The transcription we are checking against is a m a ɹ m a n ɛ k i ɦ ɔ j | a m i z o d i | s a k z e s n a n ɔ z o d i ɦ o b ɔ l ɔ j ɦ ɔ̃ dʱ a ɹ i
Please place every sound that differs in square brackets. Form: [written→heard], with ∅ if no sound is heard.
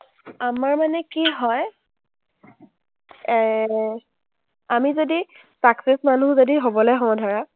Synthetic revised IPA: a m a ɹ m a n ɛ k i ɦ ɔ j | a m i z o d i | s a k [z→s] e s [n→m] a n [ɔ→u] z o d i ɦ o b ɔ l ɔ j ɦ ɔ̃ dʱ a ɹ [i→a]